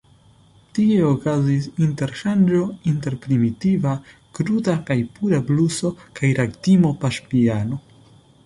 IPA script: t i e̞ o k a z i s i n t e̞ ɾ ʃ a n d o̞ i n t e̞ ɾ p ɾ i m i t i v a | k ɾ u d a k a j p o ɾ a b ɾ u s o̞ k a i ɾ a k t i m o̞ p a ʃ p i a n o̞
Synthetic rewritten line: t i e̞ o k a z i s i n t e̞ ɾ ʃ a n d͡ʒ o̞ i n t e̞ ɾ p ɾ i m i t i v a | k ɾ u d a k a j p u ɾ a b l u s o̞ k a j ɾ a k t i m o̞ p a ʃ p i a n o̞